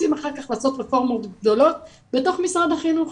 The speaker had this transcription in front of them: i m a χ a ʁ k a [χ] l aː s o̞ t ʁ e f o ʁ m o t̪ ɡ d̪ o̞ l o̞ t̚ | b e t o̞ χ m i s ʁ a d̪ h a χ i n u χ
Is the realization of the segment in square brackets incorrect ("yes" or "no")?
no